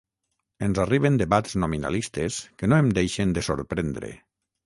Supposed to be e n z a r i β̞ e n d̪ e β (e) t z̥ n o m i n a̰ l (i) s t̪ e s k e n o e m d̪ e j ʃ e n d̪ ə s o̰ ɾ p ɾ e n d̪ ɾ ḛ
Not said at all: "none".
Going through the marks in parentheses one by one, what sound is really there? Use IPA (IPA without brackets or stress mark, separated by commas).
a, i